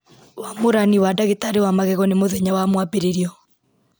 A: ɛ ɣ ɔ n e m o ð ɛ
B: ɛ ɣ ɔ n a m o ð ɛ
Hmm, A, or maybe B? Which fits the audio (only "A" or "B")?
A